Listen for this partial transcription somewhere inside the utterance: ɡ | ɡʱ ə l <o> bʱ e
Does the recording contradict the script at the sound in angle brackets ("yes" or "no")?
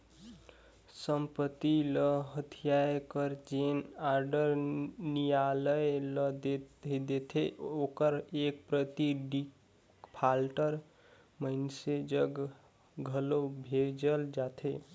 no